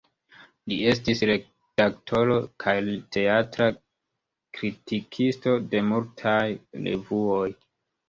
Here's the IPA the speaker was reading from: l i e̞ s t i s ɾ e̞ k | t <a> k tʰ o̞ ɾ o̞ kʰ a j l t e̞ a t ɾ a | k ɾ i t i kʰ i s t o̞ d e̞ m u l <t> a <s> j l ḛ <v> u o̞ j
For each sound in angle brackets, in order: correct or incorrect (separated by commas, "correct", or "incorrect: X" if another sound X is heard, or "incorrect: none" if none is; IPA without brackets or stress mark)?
correct, incorrect: tʰ, incorrect: none, correct